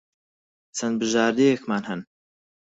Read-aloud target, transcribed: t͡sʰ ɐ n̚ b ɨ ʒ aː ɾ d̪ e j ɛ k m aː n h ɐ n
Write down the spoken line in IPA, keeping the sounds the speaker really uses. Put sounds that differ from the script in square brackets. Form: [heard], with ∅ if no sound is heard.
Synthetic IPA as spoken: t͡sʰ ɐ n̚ b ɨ ʒ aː ɾ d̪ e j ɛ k m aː n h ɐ n